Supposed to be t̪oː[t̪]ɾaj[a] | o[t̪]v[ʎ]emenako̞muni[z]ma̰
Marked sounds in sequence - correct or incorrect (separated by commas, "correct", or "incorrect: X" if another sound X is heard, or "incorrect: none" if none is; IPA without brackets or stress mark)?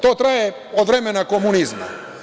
correct, incorrect: e, incorrect: d̪, incorrect: ɾ, correct